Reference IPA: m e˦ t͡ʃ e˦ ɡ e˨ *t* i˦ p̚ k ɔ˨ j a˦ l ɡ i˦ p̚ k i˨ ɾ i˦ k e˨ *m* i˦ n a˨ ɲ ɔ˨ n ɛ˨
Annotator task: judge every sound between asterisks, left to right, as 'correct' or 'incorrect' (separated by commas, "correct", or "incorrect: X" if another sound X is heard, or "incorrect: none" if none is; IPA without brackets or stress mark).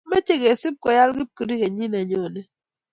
incorrect: s, incorrect: ɲ